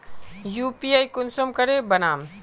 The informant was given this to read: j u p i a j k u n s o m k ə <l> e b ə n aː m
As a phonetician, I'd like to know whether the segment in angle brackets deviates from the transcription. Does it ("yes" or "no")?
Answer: yes